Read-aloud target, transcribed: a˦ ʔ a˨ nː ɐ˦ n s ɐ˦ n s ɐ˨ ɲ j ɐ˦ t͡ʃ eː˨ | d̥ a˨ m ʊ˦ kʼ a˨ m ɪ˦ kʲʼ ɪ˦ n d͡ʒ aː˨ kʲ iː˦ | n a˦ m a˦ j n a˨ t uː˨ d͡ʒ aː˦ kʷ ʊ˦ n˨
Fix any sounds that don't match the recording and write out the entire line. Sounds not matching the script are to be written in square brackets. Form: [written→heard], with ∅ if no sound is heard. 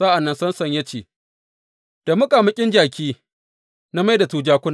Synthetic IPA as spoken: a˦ ʔ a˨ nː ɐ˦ n s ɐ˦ n s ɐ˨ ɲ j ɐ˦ t͡ʃ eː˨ | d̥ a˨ m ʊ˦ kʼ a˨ m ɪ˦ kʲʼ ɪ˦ n d͡ʒ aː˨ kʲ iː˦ | n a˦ m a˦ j [n→d] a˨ t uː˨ d͡ʒ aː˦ kʷ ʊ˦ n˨